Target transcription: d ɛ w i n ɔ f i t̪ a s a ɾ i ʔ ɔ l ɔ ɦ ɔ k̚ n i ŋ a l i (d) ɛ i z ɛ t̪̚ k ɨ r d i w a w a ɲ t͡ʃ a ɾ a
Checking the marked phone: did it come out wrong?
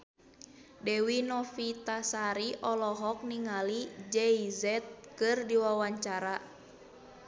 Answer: yes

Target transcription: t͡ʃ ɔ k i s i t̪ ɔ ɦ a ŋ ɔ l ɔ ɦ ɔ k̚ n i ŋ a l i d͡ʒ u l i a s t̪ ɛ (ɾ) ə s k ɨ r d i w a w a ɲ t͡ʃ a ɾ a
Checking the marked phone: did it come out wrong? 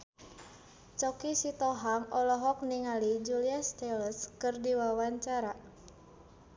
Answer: yes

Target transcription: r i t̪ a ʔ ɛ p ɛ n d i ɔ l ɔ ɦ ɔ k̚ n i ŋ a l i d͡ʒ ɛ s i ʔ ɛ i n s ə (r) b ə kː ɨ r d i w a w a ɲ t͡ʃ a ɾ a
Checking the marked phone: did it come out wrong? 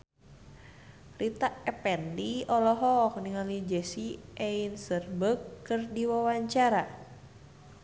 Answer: no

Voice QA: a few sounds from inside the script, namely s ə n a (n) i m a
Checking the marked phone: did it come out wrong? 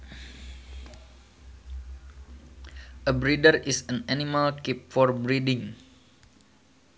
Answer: no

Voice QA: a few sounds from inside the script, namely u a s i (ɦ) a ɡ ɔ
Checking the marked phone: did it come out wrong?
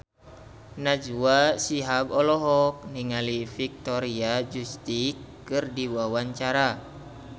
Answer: no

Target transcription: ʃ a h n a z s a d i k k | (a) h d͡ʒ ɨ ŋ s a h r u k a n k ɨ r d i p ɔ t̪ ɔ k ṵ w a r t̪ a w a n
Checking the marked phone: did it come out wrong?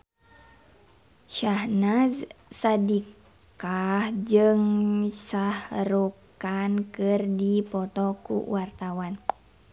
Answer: no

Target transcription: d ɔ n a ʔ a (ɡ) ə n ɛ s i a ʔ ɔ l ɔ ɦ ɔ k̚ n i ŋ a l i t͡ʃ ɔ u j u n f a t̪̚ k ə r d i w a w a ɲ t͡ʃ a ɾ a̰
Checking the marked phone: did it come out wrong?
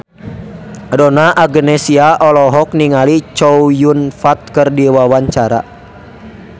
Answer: no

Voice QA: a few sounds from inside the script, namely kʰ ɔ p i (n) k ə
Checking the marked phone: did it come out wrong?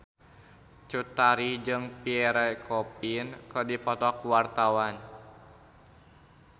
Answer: no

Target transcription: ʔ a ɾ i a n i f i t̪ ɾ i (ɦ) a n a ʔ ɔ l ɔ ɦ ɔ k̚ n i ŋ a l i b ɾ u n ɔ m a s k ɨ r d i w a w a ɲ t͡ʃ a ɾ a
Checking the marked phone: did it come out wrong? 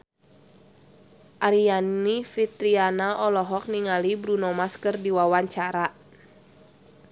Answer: yes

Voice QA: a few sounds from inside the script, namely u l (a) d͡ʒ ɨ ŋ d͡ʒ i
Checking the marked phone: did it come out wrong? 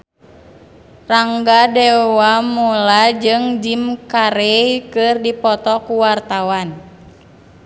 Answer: no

